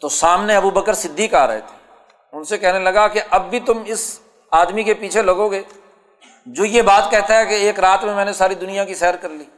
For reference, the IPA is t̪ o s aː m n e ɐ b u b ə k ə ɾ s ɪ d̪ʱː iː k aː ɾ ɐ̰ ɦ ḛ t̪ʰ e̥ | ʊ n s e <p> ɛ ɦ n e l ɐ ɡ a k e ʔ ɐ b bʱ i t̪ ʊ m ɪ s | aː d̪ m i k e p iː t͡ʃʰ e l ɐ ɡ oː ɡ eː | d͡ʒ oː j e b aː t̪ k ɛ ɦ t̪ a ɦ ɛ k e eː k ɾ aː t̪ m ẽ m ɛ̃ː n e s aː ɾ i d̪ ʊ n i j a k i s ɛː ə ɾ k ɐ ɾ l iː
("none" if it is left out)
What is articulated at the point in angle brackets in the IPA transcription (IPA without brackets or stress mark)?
k